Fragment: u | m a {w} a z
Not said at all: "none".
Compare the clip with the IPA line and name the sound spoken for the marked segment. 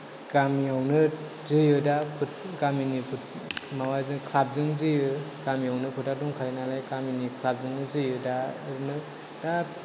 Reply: w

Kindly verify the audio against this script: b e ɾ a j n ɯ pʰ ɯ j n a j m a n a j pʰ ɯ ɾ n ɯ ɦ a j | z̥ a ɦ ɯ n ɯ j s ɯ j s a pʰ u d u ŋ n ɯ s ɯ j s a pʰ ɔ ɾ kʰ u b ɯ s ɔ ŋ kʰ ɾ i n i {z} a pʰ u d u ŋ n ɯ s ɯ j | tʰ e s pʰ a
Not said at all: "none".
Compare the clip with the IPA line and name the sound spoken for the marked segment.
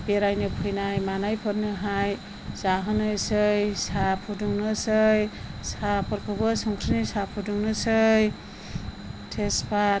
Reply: s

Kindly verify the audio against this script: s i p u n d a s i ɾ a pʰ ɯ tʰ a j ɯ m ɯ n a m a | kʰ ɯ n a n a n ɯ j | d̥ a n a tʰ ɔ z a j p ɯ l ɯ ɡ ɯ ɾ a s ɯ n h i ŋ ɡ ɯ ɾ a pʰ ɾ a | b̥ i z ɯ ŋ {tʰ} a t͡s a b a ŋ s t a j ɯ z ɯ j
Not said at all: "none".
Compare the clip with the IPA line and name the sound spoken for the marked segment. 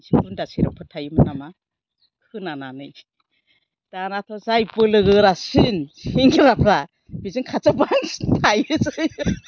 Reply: kʰ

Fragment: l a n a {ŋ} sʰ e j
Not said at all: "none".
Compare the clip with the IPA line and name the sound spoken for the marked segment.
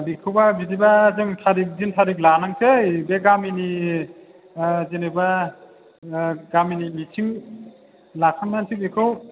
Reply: ŋ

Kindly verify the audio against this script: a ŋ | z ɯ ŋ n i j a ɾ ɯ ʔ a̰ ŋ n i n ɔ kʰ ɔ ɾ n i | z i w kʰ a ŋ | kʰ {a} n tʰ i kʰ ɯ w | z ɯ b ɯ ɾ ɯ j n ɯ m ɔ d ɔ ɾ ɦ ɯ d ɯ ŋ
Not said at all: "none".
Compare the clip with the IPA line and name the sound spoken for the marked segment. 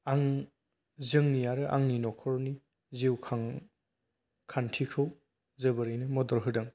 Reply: a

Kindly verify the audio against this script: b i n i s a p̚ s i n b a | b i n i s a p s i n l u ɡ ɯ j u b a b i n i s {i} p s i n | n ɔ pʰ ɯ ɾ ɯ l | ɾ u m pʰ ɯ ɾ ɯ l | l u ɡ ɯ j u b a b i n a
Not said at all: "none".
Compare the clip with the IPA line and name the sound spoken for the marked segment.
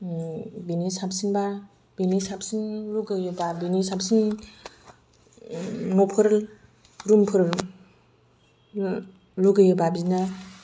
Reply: a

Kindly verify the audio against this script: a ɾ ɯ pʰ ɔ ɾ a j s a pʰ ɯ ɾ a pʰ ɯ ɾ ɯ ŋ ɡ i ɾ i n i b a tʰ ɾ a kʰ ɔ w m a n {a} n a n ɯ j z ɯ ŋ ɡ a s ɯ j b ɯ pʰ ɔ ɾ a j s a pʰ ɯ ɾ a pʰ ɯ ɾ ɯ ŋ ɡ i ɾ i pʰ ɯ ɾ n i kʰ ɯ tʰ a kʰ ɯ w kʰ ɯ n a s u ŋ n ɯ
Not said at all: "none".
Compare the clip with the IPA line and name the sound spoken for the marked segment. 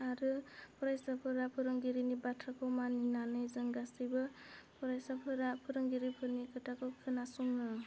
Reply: i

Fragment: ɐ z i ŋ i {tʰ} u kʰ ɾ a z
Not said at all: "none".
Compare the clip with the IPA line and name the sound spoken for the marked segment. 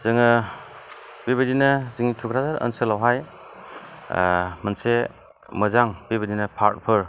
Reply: tʰ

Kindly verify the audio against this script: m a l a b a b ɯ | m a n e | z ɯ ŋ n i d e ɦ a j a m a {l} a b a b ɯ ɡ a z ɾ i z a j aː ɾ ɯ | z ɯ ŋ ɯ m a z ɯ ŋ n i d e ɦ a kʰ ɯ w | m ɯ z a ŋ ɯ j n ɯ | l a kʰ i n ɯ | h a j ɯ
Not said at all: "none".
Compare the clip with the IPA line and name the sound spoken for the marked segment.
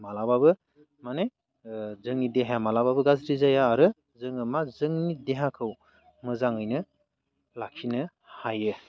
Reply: l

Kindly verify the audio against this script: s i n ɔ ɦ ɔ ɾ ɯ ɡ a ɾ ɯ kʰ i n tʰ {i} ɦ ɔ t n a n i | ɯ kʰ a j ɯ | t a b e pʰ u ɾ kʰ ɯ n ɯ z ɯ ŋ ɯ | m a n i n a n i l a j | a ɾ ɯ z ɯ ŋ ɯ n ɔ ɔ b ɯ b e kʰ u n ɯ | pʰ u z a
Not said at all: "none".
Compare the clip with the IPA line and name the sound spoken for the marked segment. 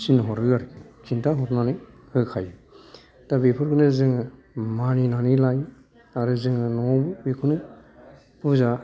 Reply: a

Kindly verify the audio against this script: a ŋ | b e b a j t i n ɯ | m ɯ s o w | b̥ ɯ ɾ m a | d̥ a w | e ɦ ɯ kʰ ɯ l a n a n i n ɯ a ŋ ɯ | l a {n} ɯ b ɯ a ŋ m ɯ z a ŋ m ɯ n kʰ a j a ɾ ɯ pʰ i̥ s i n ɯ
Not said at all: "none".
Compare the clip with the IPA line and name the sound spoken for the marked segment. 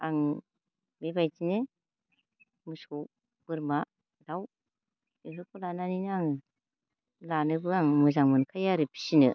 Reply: n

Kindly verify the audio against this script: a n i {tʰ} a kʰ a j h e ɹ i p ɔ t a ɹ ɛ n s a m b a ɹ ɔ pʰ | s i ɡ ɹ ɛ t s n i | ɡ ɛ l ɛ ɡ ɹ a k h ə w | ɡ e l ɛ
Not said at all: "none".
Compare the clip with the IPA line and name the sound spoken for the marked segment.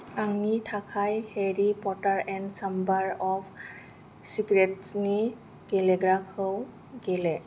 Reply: tʰ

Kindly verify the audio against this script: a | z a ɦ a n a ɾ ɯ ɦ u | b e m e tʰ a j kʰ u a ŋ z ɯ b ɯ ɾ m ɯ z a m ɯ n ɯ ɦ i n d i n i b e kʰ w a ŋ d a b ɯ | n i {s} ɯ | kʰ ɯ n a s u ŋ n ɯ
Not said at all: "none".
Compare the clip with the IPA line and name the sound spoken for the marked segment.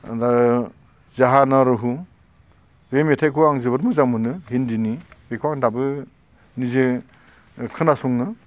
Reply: z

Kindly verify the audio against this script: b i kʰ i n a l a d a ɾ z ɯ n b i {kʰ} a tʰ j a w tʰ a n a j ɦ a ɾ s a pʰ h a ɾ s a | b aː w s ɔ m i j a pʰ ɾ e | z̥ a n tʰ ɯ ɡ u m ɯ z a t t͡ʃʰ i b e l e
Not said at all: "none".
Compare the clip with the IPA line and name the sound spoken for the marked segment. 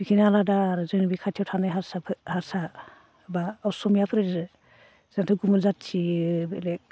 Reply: kʰ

